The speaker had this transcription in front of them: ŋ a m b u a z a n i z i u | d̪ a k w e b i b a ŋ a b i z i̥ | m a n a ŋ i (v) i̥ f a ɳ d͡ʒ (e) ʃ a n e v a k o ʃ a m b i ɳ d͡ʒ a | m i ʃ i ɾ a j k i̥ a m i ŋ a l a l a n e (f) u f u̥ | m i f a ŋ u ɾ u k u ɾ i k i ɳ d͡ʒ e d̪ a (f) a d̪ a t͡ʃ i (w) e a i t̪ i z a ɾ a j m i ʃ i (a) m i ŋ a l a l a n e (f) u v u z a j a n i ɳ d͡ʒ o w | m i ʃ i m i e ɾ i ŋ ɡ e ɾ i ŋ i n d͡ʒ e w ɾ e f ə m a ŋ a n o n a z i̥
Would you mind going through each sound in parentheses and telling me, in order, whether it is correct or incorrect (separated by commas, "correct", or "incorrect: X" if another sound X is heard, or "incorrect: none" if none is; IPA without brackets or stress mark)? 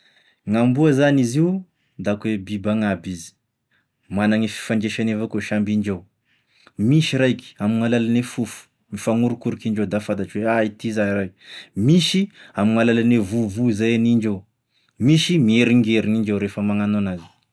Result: incorrect: f, correct, correct, correct, correct, correct, incorrect: v